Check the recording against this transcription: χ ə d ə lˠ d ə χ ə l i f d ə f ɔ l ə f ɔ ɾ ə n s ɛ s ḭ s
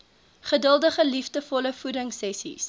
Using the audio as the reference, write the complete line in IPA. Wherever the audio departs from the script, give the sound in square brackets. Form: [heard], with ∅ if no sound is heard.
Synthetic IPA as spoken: χ ə d ə lˠ d ə χ ə l i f d ə f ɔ l ə f [u] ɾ ə [ŋ] s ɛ s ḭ s